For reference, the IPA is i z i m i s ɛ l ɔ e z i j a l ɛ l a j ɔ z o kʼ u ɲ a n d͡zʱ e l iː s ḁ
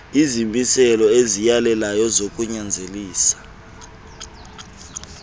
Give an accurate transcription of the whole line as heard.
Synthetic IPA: i z i m i s ɛ l ɔ e z i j a l ɛ l a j ɔ z o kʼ u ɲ a n d͡zʱ e l iː s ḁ